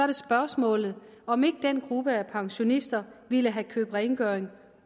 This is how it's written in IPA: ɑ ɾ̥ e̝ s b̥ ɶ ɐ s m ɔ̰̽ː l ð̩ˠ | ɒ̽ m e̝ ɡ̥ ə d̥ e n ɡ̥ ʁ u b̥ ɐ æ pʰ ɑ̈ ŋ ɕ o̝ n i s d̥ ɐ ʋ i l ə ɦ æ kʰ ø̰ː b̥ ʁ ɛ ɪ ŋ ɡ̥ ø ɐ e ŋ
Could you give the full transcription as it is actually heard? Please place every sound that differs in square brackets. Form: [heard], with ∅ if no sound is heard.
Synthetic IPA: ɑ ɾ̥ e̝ s b̥ ɶ ɐ s m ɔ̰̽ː l ð̩ˠ | ɒ̽ m e̝ ɡ̥ ə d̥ e n ɡ̥ ʁ u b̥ [ə] æ pʰ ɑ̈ ŋ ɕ o̝ n i s d̥ ɐ ʋ i l ə ɦ æ kʰ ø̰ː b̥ ʁ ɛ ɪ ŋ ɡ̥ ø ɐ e ŋ